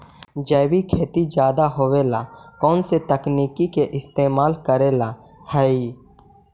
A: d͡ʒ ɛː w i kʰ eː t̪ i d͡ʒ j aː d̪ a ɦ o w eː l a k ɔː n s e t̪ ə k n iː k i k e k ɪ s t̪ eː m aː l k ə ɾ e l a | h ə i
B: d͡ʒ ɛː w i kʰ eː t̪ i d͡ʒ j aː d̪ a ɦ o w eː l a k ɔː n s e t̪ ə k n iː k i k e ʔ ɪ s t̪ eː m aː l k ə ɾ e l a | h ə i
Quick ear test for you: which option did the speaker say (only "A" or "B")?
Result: B